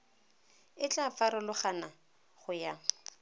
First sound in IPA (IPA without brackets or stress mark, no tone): ɪ